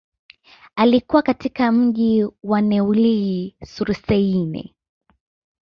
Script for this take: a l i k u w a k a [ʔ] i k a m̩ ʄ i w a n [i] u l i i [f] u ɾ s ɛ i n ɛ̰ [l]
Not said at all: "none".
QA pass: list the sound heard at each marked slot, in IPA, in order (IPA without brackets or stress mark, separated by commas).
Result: t, ɛ, s, none